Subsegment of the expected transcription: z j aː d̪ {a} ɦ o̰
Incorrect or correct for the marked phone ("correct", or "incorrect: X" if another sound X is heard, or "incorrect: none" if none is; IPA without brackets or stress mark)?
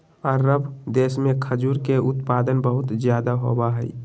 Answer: correct